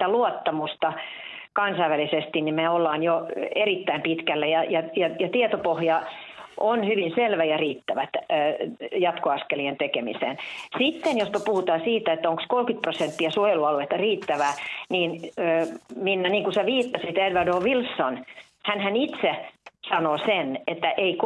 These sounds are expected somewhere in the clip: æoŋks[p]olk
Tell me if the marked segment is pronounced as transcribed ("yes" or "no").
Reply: no